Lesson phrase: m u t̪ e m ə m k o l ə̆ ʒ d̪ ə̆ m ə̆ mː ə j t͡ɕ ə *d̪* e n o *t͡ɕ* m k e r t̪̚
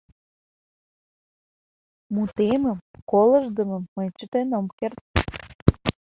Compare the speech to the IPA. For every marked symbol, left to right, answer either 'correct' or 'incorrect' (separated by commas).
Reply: incorrect, incorrect